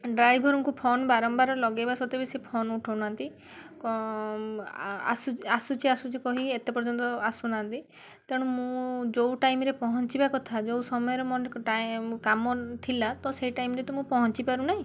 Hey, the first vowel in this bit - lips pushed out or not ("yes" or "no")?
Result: no